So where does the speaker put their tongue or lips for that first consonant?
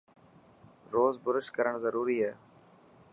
tongue tip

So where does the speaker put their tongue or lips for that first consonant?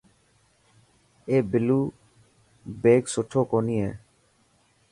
lips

